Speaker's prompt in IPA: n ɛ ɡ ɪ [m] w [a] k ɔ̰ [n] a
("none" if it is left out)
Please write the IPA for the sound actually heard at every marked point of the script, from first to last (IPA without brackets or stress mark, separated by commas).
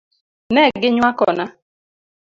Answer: ɲ, a, n